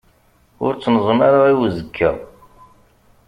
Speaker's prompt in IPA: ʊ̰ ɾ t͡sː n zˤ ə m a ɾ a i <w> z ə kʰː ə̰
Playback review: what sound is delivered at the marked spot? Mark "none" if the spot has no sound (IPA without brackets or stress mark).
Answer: w